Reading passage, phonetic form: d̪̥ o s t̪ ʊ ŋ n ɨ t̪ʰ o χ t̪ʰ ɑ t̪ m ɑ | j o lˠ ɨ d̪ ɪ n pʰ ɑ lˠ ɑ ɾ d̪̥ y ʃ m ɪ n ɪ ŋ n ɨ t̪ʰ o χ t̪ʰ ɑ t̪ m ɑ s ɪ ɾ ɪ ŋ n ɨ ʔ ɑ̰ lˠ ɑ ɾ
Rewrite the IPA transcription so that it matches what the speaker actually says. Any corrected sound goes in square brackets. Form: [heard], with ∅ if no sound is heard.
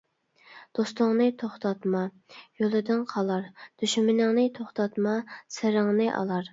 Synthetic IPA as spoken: d̪̥ o s t̪ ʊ ŋ n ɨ t̪ʰ o χ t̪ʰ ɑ t̪ m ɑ | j o lˠ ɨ d̪ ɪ n [qʰ] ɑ lˠ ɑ ɾ d̪̥ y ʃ m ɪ n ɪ ŋ n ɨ t̪ʰ o χ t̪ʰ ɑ t̪ m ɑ s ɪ ɾ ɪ ŋ n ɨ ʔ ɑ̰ lˠ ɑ ɾ